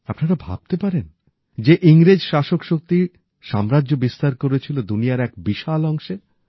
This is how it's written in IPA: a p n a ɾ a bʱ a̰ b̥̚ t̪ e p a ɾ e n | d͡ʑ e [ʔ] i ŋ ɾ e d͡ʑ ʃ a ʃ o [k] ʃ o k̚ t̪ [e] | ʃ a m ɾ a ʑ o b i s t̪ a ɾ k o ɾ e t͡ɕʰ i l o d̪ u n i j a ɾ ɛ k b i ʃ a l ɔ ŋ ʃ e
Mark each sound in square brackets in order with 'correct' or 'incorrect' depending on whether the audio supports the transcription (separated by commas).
correct, correct, incorrect